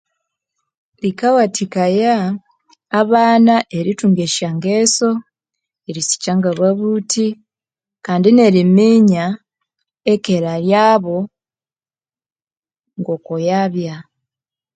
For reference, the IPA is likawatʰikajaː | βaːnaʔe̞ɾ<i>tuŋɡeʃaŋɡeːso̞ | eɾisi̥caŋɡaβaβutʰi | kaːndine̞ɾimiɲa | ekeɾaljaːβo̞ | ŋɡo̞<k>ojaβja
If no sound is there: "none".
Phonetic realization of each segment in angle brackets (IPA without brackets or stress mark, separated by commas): i, k